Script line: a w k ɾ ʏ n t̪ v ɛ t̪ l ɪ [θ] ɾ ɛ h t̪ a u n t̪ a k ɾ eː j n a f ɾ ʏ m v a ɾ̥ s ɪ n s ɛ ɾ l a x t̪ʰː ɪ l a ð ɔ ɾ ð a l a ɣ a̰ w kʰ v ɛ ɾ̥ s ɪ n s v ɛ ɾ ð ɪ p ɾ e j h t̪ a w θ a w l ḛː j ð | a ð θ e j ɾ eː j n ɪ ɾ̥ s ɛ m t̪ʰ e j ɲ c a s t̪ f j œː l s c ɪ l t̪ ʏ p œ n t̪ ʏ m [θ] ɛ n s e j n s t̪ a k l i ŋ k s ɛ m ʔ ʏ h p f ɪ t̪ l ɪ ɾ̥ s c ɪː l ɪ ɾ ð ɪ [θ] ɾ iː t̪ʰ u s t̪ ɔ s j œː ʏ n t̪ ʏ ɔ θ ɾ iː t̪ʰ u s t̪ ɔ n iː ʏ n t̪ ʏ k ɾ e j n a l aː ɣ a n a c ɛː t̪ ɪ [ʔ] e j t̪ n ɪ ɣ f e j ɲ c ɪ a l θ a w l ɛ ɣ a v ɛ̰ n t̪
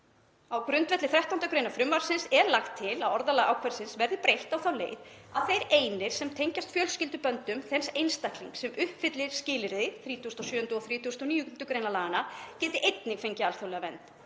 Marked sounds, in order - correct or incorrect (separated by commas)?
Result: correct, correct, correct, correct